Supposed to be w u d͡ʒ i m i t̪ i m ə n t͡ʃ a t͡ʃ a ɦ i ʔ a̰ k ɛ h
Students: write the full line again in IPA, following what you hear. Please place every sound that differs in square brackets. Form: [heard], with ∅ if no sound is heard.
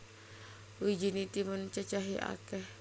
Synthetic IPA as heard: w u d͡ʒ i [n] i t̪ i m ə n t͡ʃ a t͡ʃ a ɦ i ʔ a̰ k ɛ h